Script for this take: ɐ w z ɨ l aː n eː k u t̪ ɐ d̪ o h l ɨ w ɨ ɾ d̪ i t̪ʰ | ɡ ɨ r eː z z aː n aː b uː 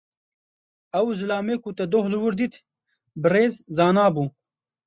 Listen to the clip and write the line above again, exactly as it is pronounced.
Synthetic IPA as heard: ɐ w z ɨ l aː m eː k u t̪ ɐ d̪ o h l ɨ w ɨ ɾ d̪ i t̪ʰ | b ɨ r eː z z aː n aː b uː